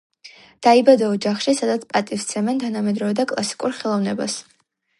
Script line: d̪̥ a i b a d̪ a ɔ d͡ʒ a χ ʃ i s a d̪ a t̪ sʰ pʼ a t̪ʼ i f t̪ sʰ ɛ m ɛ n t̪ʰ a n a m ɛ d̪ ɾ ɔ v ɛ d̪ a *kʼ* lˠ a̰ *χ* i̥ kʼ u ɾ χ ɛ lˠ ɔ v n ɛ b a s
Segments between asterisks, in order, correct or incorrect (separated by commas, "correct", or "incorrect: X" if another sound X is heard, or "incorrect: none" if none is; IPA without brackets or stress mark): correct, incorrect: s